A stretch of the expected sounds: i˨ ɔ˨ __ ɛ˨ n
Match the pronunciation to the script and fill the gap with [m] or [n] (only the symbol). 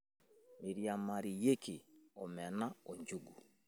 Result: m